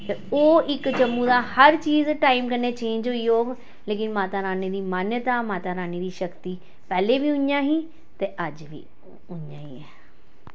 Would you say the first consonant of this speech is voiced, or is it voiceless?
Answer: voiceless